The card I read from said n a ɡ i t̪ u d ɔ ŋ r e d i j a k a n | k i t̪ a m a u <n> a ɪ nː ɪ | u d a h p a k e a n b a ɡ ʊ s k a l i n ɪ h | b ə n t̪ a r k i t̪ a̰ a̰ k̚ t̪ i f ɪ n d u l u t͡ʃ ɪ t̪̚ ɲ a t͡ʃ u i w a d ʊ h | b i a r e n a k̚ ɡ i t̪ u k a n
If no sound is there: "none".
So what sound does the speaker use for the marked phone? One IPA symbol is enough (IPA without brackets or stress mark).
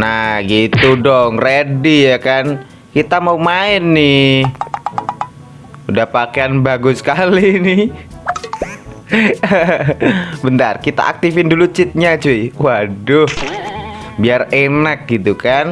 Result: m